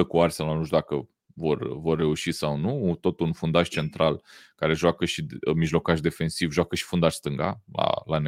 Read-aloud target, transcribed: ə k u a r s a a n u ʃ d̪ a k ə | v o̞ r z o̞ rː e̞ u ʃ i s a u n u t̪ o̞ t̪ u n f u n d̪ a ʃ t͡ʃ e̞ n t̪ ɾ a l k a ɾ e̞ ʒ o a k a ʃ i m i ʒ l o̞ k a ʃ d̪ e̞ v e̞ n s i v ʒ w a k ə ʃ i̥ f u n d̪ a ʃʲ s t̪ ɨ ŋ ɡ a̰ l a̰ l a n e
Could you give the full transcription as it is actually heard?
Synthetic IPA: ə k u a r s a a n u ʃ d̪ a k ə | v o̞ r v o̞ rː e̞ u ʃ i s a w n u t̪ o̞ t̪ u n f u n d̪ a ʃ t͡ʃ e̞ n t̪ ɾ a l k a ɾ e̞ ʒ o a k ə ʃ i m i ʒ l o̞ k a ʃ d̪ e̞ f e̞ n s i v ʒ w a k ə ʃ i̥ f u n d̪ a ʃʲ s t̪ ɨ ŋ ɡ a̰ l a̰ l a n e